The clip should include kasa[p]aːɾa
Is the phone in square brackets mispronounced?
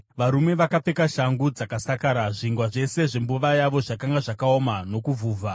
yes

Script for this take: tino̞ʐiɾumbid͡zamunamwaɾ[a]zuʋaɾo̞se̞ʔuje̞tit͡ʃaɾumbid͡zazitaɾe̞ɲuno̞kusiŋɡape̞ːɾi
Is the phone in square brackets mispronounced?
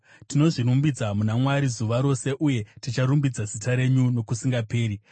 yes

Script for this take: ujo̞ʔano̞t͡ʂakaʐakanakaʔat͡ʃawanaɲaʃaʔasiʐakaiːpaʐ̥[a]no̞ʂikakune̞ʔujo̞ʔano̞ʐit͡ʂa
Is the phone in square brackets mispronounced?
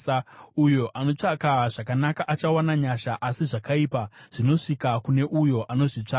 yes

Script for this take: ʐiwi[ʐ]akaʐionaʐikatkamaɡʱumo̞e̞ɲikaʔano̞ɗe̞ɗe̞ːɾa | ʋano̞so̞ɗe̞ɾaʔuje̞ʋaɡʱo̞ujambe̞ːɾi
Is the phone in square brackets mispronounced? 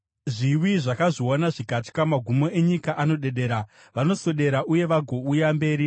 no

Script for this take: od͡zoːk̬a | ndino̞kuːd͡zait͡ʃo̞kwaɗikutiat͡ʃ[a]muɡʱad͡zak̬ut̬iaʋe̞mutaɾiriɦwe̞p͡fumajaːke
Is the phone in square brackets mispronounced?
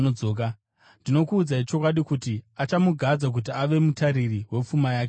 no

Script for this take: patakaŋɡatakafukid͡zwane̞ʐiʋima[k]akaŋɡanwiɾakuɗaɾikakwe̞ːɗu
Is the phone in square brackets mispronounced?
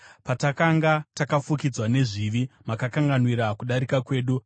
no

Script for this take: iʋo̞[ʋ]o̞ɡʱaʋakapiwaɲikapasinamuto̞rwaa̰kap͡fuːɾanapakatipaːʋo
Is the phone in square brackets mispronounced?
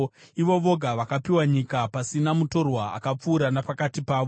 no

